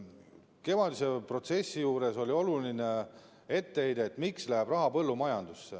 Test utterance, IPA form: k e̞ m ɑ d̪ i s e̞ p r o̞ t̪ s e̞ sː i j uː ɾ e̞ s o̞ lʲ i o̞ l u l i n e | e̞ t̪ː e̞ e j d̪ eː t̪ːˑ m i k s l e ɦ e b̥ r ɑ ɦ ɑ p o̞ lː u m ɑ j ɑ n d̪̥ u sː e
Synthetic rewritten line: k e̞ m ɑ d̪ i s e̞ p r o̞ t̪ s e̞ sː i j uː ɾ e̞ s o̞ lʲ i o̞ l u l i n e | e̞ t̪ː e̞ e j d̪ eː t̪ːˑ m i k s l æ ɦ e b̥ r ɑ ɦ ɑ p ɤ̞ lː u m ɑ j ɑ n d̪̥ u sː e